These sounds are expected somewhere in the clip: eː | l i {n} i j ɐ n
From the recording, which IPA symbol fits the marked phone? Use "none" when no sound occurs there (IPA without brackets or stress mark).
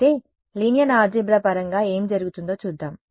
n